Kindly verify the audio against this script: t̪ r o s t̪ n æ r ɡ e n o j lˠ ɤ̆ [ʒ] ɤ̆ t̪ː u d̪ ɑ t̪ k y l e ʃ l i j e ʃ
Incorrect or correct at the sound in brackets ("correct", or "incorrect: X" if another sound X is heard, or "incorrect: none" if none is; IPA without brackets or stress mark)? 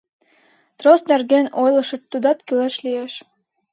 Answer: incorrect: ʃ